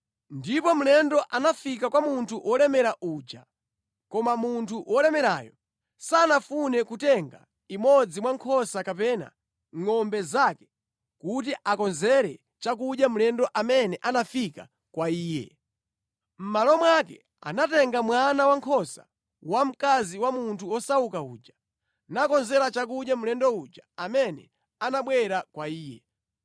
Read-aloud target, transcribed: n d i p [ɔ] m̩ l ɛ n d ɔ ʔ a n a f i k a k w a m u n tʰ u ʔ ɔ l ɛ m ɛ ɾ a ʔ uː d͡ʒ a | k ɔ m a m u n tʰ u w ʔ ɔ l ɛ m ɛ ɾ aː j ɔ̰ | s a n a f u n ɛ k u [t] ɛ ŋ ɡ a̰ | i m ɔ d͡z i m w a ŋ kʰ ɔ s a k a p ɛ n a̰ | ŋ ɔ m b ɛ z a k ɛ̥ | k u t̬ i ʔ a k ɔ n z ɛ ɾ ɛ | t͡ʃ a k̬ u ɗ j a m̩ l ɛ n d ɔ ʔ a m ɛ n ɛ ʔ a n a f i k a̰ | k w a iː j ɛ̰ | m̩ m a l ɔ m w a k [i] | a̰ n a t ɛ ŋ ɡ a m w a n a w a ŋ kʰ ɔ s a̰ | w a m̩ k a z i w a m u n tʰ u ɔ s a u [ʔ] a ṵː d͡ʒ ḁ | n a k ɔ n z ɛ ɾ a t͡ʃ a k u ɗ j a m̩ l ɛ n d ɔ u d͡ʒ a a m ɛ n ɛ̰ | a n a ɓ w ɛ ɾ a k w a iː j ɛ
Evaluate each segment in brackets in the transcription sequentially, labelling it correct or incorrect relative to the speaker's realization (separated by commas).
correct, correct, incorrect, incorrect